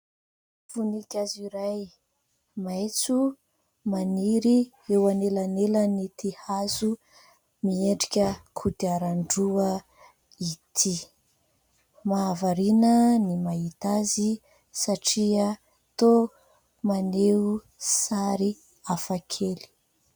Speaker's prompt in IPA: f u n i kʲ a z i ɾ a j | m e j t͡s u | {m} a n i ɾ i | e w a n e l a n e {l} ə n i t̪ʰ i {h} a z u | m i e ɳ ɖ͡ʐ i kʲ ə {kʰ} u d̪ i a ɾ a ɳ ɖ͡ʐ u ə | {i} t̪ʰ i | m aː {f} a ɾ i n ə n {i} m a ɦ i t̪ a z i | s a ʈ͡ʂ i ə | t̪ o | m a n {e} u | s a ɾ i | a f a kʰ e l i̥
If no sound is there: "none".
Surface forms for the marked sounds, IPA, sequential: m, l, h, kʰ, i, v, i, e

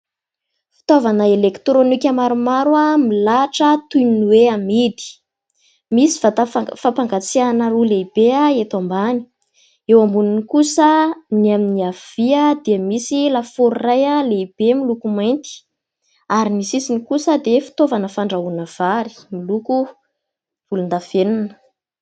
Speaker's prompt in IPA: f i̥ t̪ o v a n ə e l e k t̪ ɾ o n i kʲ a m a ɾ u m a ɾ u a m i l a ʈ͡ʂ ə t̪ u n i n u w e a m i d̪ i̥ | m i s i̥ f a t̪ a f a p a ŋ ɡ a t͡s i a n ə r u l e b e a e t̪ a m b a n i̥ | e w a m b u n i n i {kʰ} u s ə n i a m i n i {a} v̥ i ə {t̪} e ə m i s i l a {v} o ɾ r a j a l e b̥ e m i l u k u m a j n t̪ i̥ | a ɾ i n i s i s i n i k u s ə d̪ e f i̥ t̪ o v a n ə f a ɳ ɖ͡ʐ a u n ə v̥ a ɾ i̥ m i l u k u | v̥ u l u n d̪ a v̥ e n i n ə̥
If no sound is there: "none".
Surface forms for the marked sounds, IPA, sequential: k, a, d̪, f

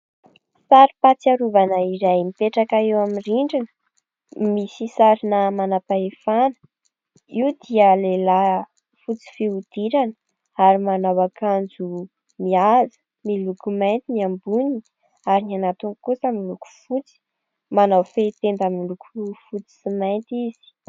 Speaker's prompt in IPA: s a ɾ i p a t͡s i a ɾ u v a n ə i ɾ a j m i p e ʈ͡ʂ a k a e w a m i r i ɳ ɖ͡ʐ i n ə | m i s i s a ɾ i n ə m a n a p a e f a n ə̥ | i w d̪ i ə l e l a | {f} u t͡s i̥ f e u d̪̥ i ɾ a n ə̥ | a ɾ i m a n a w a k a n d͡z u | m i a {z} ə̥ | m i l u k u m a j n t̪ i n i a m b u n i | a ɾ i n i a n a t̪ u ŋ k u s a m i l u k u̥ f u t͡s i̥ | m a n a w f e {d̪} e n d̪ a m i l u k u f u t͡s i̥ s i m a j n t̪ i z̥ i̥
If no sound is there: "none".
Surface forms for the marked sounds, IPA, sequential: f, z, t̪

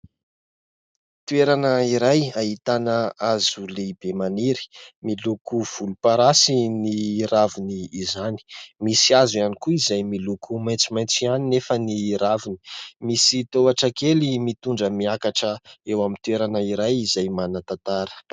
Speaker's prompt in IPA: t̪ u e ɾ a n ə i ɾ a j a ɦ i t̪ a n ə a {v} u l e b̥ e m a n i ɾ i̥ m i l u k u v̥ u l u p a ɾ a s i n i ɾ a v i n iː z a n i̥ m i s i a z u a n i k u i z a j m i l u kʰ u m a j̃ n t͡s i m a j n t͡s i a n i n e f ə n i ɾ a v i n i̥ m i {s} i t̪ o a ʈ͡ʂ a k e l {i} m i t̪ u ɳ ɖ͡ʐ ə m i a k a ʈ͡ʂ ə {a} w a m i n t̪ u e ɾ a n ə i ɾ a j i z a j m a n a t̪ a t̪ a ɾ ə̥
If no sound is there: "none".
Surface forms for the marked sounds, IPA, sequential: z, s, i, e

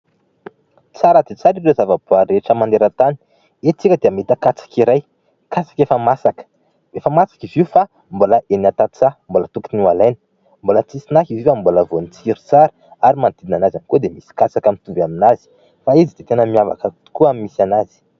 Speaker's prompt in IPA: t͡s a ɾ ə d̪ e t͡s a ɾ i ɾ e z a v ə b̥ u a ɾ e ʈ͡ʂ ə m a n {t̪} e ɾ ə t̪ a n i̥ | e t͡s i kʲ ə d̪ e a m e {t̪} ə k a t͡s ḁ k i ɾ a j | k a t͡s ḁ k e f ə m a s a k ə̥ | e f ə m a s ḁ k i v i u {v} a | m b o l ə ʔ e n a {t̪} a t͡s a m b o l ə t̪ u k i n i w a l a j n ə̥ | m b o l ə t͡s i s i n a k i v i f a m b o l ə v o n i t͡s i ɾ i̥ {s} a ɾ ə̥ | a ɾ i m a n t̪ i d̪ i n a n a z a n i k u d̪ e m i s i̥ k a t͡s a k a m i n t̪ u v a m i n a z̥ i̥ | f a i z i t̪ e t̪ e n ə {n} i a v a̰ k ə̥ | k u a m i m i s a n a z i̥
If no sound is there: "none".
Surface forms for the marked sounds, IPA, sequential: d̪, t̪, f, t̪, t͡s, m

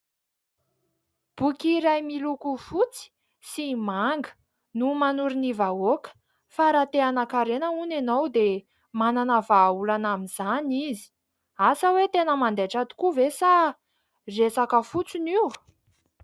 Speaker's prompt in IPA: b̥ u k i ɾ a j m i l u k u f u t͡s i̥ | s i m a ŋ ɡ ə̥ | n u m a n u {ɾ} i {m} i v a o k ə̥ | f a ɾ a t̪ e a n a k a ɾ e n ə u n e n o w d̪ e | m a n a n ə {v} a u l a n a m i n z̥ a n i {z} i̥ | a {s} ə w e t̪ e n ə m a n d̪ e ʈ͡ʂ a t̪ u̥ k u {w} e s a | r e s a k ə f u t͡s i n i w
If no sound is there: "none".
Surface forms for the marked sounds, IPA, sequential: ɾ, n, v, z, s, v

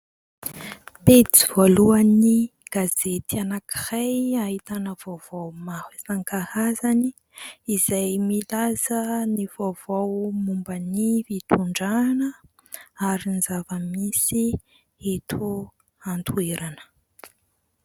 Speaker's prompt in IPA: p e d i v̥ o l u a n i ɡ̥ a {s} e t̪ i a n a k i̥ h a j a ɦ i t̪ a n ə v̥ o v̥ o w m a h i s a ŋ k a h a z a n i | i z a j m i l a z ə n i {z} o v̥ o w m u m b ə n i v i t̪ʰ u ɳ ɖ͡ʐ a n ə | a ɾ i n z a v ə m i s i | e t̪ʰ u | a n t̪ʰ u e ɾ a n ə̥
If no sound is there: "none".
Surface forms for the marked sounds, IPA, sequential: z, v

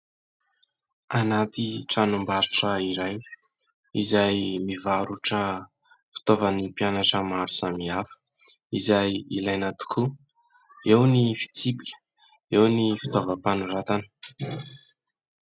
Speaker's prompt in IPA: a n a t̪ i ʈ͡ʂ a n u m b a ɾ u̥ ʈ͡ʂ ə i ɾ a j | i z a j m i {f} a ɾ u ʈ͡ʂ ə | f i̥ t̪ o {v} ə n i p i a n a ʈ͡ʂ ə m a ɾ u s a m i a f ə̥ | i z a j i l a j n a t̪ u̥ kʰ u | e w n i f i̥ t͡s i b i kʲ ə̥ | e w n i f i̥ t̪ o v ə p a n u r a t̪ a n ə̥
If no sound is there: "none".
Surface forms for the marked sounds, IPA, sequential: v, v

